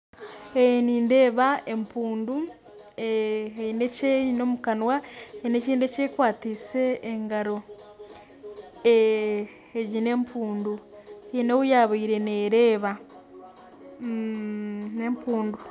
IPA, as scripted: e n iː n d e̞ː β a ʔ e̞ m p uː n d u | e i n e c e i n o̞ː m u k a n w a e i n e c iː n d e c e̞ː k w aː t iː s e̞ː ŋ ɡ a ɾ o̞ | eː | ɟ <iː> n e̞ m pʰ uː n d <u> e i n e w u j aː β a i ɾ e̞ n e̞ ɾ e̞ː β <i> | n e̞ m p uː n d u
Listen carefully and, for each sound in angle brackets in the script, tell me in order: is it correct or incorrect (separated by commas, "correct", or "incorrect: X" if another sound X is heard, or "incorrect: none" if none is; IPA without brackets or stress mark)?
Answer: incorrect: i, correct, incorrect: a